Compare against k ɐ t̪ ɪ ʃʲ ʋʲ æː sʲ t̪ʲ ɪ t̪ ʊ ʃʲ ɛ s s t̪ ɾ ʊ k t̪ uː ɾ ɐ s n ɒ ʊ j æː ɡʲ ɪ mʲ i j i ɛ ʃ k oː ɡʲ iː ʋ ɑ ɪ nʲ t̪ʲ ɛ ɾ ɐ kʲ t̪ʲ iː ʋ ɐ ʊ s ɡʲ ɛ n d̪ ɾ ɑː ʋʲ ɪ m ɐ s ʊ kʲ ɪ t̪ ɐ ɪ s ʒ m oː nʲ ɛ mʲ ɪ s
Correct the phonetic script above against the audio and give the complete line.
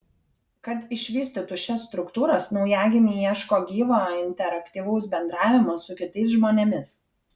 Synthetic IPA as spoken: k ɐ t̪ ɪ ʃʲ ʋʲ iː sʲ t̪ʲ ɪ t̪ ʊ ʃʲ ɛ s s t̪ ɾ ʊ k t̪ uː ɾ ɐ s n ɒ ʊ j æː ɡʲ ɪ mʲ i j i ɛ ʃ k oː ɡʲ iː ʋ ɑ ɪ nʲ t̪ʲ ɛ ɾ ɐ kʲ t̪ʲ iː ʋ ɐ ʊ s bʲ ɛ n d̪ ɾ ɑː ʋʲ ɪ m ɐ s ʊ kʲ ɪ t̪ ɐ ɪ s ʒ m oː nʲ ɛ mʲ ɪ s